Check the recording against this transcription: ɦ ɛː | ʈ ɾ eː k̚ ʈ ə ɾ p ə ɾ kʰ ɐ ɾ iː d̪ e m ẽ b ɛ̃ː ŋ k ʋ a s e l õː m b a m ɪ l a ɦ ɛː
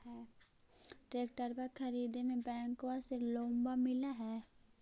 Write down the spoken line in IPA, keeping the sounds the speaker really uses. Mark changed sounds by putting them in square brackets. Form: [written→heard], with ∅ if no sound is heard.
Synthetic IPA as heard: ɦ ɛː | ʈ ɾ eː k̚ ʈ ə ɾ p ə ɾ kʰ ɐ ɾ iː d̪ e m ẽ b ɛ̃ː ŋ k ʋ a s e l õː m b a m ɪ l a ɦ ɛː